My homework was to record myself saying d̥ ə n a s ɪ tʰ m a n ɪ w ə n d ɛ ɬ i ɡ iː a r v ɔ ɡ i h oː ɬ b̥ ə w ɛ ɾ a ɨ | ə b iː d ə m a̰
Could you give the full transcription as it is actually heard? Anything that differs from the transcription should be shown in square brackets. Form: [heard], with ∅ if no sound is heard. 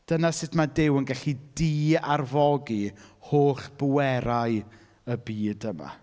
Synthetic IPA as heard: d̥ ə n a s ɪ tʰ m a [d] ɪ w ə n [ɡ] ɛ ɬ i [d] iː a r v ɔ ɡ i h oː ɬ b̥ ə w ɛ ɾ a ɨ | ə b iː d ə m a̰